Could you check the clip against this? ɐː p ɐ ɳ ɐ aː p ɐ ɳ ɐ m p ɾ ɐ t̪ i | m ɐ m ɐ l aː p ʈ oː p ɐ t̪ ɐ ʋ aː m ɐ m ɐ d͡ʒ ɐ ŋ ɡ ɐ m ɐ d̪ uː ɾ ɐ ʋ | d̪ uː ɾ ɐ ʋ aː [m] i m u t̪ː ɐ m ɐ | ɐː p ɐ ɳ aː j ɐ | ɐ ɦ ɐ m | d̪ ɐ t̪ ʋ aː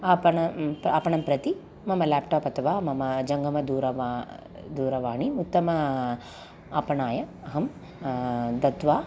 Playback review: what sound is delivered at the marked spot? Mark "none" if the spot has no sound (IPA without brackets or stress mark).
ɳ